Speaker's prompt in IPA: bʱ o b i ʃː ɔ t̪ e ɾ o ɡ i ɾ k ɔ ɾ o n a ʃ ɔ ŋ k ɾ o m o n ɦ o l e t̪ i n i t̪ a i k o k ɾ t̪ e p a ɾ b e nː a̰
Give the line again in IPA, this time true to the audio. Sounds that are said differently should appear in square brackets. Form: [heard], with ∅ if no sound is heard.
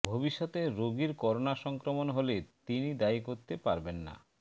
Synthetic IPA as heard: bʱ o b i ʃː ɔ t̪ e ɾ o ɡ i ɾ k ɔ ɾ o n a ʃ ɔ ŋ k ɾ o m o n ɦ o l e t̪ i n i [d̪] a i k o [∅] ɾ t̪ e p a ɾ b e nː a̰